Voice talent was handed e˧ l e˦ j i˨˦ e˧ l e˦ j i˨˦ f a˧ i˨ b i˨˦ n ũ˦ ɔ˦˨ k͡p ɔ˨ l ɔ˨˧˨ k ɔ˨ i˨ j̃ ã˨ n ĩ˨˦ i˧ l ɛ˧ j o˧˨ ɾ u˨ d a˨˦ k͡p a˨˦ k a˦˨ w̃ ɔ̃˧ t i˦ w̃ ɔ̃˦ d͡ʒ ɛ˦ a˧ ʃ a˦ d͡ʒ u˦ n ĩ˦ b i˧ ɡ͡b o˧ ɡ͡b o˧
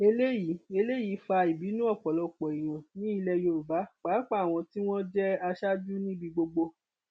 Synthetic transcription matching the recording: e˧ l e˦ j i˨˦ e˧ l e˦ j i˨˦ f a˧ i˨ b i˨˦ n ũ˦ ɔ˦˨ k͡p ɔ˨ l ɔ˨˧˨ k͡p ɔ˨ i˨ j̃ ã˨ n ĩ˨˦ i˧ l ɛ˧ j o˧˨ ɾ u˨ b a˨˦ k͡p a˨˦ k͡p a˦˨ w̃ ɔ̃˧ t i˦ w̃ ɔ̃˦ d͡ʒ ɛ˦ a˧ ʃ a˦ d͡ʒ u˦ n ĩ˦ b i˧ ɡ͡b o˧ ɡ͡b o˧